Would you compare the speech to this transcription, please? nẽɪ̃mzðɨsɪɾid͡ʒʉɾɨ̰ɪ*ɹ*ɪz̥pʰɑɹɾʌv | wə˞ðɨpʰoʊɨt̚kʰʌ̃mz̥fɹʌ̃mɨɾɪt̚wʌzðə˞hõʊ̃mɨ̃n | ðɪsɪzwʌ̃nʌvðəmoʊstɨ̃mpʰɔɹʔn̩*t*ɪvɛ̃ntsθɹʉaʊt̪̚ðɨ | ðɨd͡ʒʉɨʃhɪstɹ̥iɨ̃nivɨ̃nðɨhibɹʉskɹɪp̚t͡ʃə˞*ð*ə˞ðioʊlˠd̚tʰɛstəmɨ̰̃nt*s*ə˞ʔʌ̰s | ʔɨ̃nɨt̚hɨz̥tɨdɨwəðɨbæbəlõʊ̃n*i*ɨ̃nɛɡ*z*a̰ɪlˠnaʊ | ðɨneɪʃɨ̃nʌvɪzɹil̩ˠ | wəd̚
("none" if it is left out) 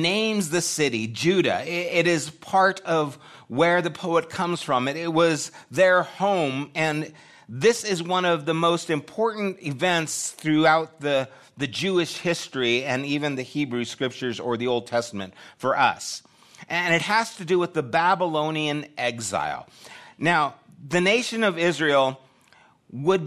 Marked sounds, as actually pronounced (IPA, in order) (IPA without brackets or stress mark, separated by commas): ɾ, t, z, f, i, z